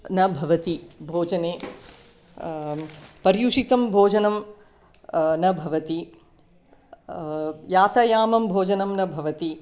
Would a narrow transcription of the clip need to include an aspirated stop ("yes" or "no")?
no